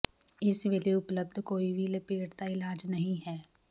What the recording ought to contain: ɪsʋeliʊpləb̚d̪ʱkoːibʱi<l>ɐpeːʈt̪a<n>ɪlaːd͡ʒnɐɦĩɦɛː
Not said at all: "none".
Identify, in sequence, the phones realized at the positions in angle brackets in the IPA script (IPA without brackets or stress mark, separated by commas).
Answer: l, none